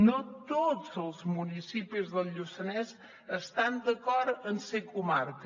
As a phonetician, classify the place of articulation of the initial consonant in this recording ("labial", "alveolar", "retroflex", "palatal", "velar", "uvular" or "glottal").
alveolar